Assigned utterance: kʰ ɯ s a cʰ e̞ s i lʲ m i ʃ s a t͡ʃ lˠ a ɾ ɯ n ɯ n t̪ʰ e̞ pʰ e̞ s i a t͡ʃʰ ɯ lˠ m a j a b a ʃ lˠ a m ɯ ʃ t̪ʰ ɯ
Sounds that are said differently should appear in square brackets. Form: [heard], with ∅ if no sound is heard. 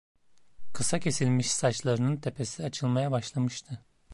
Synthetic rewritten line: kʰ ɯ s a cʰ e̞ s i lʲ m i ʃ s a t͡ʃ lˠ a ɾ ɯ n ɯ n t̪ʰ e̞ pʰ e̞ s i a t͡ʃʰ ɯ lˠ m a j a b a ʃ lˠ a m ɯ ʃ t̪ʰ ɯ